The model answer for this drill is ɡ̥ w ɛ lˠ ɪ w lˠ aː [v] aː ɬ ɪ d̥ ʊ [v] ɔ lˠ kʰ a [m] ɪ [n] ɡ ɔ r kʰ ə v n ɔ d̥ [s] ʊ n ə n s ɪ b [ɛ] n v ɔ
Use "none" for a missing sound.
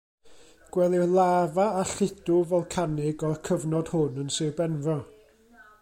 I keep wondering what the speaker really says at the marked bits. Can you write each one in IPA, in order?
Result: v, v, n, none, h, ɛ

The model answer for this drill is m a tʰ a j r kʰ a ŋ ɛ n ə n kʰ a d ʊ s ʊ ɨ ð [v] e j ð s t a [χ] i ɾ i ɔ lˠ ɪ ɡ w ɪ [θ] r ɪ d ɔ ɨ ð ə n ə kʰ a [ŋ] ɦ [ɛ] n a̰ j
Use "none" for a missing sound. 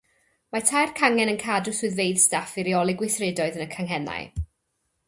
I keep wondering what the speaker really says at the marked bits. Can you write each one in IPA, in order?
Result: v, f, θ, ŋ, ɛ

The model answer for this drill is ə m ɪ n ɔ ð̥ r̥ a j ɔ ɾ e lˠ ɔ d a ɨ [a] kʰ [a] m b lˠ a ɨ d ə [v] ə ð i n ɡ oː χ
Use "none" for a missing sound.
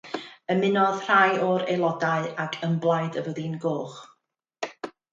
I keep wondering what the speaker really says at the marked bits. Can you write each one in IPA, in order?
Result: a, ə, v

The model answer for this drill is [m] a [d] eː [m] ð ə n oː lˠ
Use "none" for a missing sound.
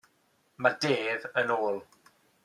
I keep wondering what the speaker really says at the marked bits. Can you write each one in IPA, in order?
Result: m, d, none

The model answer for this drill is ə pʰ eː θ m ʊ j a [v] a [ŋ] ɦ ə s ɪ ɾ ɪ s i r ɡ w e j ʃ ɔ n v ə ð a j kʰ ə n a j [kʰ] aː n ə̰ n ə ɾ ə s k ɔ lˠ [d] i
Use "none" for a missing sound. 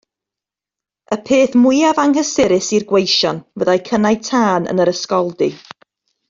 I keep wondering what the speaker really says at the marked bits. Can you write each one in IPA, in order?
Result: v, ŋ, tʰ, d

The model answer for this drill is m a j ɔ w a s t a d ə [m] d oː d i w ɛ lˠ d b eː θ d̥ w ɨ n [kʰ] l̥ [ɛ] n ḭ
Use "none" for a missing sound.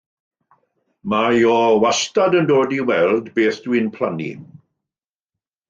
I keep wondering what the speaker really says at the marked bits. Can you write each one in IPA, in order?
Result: n, pʰ, a

